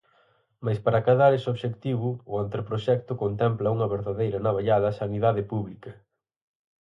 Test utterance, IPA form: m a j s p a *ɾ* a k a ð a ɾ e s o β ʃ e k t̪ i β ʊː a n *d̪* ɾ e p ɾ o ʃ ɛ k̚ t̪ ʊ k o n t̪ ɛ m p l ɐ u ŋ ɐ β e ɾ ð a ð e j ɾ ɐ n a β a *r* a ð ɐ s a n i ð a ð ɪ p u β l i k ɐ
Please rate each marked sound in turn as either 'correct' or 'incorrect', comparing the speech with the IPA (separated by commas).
correct, incorrect, incorrect